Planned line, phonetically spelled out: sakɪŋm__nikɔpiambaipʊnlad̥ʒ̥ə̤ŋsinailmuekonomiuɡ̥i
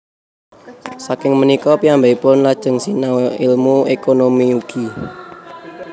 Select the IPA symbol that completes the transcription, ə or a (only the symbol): ə